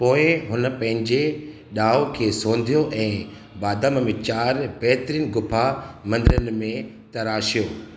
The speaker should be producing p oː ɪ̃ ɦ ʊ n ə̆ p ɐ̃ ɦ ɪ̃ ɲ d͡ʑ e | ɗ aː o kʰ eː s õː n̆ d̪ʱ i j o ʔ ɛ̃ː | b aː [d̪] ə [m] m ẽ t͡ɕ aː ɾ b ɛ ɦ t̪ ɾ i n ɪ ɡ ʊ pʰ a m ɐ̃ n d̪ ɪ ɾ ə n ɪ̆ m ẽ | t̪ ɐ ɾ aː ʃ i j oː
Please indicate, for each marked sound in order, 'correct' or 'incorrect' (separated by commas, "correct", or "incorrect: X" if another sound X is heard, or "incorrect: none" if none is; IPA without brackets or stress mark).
correct, correct